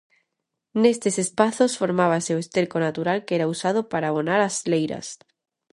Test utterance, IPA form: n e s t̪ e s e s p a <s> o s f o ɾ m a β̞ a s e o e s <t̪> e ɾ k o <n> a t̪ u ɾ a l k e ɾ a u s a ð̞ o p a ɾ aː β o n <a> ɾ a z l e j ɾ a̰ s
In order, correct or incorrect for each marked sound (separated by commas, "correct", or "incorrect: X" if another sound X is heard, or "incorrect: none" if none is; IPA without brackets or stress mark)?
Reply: incorrect: θ, correct, correct, correct